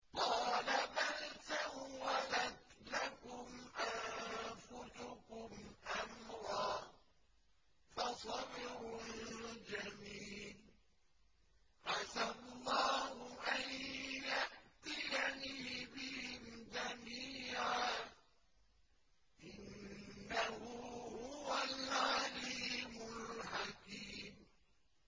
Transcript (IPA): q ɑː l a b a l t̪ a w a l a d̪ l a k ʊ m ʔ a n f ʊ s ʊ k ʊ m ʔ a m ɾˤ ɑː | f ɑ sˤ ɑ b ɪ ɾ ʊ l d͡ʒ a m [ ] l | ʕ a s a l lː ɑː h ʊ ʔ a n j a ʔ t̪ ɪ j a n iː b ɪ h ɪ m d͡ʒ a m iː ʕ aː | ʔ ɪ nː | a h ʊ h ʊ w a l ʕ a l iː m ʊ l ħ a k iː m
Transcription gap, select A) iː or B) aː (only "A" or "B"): A